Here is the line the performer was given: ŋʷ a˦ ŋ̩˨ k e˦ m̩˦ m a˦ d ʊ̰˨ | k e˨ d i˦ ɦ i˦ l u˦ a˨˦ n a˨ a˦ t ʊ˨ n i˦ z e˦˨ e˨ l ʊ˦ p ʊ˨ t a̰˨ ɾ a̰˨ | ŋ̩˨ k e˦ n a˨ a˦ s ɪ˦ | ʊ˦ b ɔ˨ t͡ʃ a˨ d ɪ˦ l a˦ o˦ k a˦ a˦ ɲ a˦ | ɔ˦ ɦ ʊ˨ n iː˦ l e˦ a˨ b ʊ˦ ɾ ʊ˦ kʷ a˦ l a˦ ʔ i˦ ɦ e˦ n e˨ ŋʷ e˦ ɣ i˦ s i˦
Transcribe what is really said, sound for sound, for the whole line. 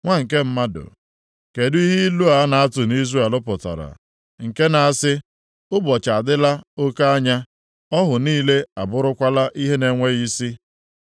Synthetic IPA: ŋʷ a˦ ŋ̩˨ k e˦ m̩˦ m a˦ d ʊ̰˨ | k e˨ d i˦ ɦ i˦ l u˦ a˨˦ n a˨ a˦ t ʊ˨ n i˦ z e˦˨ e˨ l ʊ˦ p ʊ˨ t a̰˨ ɾ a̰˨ | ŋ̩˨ k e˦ n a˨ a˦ s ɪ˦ | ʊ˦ b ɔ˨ t͡ʃ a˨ d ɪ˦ l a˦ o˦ k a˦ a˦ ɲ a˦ | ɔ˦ ɦ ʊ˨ n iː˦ l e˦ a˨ b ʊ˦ ɾ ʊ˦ kʷ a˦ l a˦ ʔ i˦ ɦ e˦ n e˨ ŋʷ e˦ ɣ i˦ s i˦